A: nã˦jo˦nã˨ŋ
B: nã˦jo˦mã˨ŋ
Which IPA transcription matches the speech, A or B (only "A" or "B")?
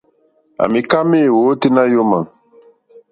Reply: B